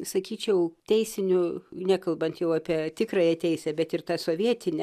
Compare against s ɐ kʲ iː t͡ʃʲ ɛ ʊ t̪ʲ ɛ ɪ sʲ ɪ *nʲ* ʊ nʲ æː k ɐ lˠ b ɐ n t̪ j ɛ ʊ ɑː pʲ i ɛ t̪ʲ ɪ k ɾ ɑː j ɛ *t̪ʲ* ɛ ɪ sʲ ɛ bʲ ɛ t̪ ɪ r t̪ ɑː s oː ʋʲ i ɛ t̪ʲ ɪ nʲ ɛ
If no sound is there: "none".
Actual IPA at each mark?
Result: nʲ, t̪ʲ

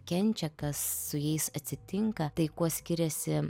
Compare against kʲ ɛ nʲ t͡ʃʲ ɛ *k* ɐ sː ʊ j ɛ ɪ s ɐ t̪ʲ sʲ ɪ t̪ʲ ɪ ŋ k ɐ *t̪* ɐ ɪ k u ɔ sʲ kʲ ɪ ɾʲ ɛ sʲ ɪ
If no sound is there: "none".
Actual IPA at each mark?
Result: k, t̪

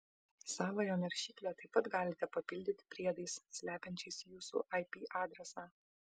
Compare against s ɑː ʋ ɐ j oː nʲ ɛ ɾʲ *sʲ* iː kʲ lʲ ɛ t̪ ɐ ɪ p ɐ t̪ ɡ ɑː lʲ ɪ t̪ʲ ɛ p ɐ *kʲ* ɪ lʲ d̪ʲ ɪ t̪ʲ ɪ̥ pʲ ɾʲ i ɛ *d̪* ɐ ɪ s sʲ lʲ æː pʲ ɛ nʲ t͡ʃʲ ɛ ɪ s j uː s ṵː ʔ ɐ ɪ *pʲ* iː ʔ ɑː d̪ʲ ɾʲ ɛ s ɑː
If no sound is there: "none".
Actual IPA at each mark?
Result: ʃʲ, pʲ, d̪, pʲ

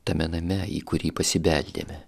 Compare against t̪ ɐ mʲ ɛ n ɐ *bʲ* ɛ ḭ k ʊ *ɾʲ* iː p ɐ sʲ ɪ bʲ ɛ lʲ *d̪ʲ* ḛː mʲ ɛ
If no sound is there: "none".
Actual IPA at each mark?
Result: mʲ, ɾʲ, d̪ʲ

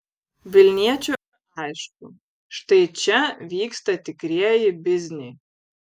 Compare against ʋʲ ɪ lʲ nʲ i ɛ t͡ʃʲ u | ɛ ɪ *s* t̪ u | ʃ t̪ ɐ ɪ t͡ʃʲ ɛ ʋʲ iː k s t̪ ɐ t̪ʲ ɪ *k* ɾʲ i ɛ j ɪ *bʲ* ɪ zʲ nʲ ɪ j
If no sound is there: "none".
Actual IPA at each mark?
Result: ʃ, k, bʲ

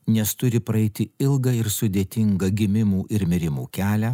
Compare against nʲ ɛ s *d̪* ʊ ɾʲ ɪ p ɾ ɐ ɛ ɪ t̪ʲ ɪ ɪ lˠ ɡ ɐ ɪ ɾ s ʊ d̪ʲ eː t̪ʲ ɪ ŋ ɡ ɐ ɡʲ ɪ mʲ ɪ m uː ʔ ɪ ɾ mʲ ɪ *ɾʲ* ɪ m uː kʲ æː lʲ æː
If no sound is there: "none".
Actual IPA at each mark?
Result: t̪, ɾʲ

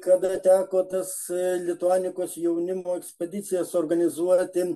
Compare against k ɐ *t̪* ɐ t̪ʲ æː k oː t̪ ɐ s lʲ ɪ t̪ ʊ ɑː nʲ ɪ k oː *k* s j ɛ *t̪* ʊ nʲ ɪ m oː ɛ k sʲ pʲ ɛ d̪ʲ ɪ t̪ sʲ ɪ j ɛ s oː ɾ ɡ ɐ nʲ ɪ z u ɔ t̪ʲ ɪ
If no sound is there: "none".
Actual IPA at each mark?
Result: d̪, none, none

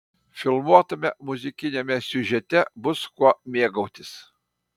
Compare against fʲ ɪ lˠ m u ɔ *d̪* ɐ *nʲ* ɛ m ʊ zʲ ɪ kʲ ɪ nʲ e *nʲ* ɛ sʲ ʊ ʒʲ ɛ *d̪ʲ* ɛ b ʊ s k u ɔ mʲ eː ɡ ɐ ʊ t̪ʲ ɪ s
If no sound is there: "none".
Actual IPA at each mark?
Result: t̪, mʲ, mʲ, t̪ʲ

